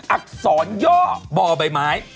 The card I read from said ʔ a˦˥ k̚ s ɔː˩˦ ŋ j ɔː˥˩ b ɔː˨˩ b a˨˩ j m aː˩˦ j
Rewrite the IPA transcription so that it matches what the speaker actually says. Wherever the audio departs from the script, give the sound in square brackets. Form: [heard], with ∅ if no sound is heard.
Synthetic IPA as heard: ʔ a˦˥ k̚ s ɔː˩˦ [n] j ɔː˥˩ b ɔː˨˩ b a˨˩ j m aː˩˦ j